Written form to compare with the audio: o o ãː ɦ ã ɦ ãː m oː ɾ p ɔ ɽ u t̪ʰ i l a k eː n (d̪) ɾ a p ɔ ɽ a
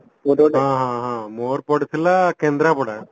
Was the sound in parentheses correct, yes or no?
yes